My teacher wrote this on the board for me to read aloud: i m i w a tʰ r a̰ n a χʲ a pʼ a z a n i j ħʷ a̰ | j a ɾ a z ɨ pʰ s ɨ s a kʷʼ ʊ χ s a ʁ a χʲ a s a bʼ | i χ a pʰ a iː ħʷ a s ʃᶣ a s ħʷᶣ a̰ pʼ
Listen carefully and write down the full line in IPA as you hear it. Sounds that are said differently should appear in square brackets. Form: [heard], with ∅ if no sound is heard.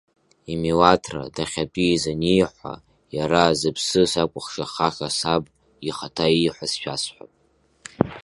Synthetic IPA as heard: i m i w a tʰ r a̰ [d] a χʲ a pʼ [i] z a n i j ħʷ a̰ | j a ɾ a z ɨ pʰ s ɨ s a kʷʼ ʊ χ [ʂ] a [χ] a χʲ a s a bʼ | i χ a [tʰ] a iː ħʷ a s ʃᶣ a s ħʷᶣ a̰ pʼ

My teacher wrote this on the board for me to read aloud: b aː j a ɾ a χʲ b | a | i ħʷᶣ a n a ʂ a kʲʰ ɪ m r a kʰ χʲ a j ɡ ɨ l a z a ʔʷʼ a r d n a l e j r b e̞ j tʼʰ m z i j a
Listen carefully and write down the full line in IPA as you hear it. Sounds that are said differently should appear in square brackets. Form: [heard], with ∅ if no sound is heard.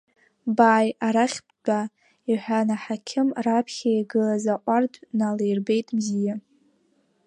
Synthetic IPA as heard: b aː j a ɾ a χʲ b | a | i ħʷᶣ a n a [ħ] a kʲʰ ɪ m r a [pʰ] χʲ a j ɡ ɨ l a z a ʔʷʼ a r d n a l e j r b e̞ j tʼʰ m z i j a

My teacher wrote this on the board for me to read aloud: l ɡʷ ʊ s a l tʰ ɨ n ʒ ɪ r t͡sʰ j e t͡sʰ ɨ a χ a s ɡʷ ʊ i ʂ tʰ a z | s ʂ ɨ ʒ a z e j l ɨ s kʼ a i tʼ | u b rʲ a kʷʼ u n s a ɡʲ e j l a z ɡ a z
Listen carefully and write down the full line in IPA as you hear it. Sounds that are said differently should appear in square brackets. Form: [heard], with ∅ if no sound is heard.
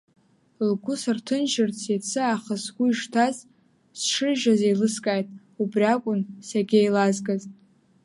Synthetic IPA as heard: l ɡʷ ʊ s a [r] tʰ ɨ n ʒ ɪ r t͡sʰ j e t͡sʰ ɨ a χ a s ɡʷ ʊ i ʂ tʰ a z | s ʂ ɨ ʒ a z e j l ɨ s kʼ a [j] tʼ | u b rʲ a kʷʼ [ʊ] n s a ɡʲ e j l a z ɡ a z

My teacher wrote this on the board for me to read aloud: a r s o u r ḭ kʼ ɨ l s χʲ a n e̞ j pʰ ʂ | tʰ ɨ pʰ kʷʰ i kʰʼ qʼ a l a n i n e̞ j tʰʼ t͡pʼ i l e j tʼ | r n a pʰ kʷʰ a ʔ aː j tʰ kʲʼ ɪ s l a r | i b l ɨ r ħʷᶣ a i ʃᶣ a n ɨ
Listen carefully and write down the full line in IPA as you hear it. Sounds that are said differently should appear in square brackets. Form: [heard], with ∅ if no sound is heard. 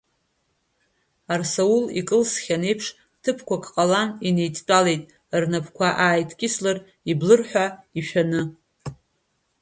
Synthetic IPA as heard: a r s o u [l] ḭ kʼ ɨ l s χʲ a n e̞ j pʰ ʂ | tʰ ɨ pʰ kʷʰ [a] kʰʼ qʼ a l a n i n e̞ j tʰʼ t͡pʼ [a] l e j tʼ | r n a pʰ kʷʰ a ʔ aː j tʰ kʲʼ ɪ s l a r | i b l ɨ r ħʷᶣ a i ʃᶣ a n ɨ

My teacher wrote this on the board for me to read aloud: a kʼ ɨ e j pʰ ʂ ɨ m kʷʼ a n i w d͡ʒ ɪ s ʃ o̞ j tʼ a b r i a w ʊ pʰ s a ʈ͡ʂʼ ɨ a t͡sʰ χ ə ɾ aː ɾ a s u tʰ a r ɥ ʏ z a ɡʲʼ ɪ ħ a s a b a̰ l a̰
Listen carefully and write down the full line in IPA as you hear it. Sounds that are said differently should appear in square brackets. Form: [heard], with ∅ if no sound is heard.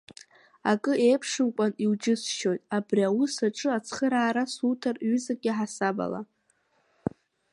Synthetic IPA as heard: a kʼ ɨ e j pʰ ʂ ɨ m kʷʼ a n i w d͡ʒ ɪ s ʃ o̞ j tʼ a b r i a w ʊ [∅] s a ʈ͡ʂʼ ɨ a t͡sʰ χ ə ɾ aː ɾ a s u tʰ a r ɥ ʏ z a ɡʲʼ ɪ ħ a s a b a̰ l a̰

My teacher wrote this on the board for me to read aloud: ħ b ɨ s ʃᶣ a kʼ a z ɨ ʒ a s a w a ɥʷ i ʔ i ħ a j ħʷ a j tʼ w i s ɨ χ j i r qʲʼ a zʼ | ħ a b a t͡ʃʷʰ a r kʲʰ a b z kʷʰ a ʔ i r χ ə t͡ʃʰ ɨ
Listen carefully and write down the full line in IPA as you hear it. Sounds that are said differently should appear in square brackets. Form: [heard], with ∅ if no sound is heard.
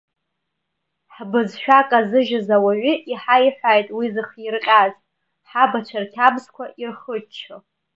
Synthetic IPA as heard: ħ b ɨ [z] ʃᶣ a kʼ a z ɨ ʒ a [z] a w a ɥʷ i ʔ i ħ a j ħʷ a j tʼ w i [z] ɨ χ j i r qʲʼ a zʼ | ħ a b a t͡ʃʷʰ a r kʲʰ a b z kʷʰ a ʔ i r χ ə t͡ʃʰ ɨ

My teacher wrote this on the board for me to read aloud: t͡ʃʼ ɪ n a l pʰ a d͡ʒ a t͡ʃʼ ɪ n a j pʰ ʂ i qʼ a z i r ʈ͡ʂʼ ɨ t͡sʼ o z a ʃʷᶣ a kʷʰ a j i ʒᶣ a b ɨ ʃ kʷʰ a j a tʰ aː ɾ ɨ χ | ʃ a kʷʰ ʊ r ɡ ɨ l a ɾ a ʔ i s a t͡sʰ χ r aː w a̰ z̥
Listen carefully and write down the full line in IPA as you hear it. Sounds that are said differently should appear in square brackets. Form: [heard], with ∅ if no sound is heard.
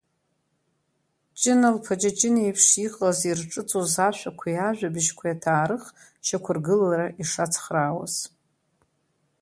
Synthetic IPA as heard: t͡ʃʼ ɪ n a l pʰ a d͡ʒ a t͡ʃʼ ɪ n [e] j pʰ ʂ i qʼ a z i r ʈ͡ʂʼ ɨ t͡sʼ o z a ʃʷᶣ a kʷʰ a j [a] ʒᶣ a b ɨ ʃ kʷʰ a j a tʰ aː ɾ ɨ χ | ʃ a kʷʰ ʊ r ɡ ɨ l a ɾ a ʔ i [ʂ] a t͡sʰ χ r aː w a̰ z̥

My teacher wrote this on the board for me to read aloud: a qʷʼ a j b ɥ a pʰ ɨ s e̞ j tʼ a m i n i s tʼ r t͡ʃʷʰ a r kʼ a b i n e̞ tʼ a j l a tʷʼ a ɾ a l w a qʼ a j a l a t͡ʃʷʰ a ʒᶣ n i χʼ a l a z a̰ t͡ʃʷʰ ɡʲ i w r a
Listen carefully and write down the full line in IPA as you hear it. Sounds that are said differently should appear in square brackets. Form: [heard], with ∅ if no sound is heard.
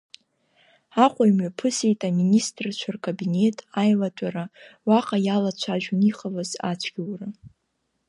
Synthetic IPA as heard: a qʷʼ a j [m] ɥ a pʰ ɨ s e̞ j tʼ a m i n i s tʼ r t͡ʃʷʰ a r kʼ a b i n e̞ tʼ a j l a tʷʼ a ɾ a [∅] w a qʼ a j a l a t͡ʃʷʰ a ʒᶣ n i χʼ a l a z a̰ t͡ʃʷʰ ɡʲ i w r a

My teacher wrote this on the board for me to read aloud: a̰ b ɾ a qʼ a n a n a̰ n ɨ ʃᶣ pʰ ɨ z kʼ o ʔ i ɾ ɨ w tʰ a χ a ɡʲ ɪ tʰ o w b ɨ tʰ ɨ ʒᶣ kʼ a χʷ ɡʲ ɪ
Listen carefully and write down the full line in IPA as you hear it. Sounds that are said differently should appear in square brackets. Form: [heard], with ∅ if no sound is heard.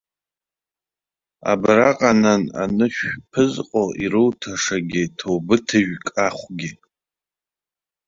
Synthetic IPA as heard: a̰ b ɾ a qʼ a n a n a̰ n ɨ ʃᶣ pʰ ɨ z [qʼ] o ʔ i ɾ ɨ w tʰ a [ʂ] a ɡʲ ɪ tʰ o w b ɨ tʰ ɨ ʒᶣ kʼ a χʷ ɡʲ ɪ

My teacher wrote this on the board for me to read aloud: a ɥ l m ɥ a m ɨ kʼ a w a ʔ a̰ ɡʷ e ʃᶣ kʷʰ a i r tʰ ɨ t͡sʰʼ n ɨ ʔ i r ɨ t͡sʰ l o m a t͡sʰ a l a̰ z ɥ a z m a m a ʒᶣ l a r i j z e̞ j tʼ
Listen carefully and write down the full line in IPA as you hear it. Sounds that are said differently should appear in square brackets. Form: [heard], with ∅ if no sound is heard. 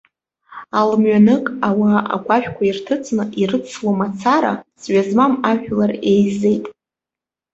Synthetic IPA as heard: a [∅] l m ɥ a [n] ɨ kʼ a w a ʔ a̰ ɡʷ [a] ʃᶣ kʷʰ a i r tʰ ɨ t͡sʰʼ n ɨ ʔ i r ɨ t͡sʰ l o m a t͡sʰ a [ɾ] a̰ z ɥ a z m a m a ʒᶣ l a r [e] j z e̞ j tʼ

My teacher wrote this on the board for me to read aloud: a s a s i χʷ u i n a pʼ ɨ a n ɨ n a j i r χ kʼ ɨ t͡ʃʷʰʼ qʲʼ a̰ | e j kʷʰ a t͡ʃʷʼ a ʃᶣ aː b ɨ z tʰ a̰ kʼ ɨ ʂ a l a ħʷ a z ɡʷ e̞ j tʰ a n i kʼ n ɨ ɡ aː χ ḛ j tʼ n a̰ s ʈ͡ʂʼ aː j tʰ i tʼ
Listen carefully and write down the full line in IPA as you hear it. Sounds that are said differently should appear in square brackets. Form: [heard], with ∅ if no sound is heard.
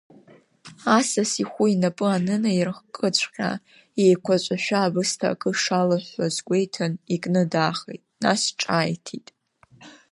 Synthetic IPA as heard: a s a s i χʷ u i n a pʼ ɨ a n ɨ n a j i r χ kʼ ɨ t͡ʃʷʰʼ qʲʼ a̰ | e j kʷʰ a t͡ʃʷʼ a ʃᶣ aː b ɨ [s] tʰ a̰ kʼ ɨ ʂ a l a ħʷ a z ɡʷ e̞ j tʰ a n i kʼ n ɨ [d] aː χ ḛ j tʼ n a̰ s ʈ͡ʂʼ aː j tʰ i tʼ

